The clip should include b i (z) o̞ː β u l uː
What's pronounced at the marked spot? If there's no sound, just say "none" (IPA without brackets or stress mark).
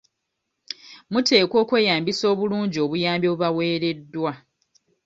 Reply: s